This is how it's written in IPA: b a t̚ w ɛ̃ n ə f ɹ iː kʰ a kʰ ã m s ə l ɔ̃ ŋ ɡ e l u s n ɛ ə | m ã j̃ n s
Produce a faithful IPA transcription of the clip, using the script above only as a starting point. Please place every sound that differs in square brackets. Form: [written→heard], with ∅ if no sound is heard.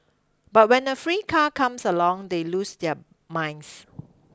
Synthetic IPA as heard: b a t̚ w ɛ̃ n ə f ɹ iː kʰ a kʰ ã m s ə l ɔ̃ ŋ [ɡ→d] e l u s [n→d] ɛ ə | m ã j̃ n s